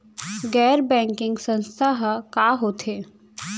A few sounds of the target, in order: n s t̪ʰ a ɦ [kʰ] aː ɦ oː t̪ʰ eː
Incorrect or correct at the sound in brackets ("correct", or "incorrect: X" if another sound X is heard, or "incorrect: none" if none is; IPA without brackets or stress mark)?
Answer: incorrect: k